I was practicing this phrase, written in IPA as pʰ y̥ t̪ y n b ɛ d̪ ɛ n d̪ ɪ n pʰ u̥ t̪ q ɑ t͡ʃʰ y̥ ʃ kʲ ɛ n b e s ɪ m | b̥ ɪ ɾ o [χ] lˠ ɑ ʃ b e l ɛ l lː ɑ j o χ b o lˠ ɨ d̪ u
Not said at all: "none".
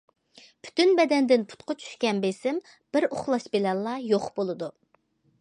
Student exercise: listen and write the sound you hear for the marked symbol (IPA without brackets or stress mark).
χ